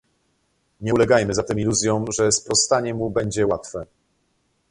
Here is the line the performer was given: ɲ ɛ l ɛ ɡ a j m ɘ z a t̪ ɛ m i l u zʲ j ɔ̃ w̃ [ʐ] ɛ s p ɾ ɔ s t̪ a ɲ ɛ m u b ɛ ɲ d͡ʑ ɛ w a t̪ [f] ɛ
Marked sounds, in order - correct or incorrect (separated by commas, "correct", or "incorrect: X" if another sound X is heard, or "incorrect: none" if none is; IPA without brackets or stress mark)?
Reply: correct, correct